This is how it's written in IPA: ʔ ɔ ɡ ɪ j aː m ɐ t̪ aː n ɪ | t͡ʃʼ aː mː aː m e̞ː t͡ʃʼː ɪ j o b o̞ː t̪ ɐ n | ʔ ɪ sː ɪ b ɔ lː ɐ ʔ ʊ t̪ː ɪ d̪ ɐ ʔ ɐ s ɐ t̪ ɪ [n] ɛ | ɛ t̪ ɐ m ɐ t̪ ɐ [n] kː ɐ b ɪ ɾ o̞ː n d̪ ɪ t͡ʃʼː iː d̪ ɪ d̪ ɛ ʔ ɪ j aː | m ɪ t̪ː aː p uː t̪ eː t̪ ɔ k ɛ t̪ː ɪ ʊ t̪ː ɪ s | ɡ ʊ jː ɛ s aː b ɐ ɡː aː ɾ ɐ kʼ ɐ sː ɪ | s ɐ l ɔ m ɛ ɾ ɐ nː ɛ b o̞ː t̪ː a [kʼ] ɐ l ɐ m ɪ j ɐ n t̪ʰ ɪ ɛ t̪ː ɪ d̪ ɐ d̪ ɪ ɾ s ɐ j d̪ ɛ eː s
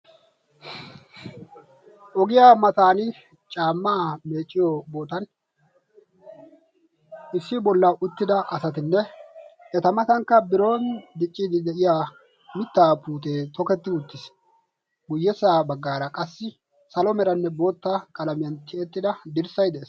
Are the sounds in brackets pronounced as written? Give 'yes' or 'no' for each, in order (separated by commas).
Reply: no, no, yes